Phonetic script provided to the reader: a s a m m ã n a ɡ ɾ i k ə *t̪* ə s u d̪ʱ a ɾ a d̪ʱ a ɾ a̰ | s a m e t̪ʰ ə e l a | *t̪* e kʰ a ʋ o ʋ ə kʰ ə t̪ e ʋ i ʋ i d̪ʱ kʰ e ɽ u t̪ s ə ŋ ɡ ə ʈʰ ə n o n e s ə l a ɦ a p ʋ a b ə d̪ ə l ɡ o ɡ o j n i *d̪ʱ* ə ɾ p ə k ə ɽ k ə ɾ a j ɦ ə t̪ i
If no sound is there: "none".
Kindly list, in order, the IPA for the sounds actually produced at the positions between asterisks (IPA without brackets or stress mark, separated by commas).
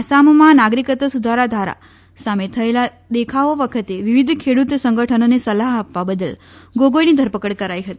t̪, d̪, d̪ʱ